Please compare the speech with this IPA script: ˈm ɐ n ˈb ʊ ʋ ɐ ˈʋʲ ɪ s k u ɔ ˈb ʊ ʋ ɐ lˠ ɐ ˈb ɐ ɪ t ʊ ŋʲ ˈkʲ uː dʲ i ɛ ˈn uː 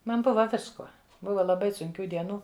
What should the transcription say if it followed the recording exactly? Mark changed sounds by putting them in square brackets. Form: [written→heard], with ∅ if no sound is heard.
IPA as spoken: ˈm ɐ n ˈb ʊ ʋ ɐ ˈʋʲ ɪ s k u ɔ ˈb ʊ ʋ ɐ lˠ ɐ ˈb ɐ ɪ [t→s] ʊ ŋʲ ˈkʲ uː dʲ i ɛ ˈn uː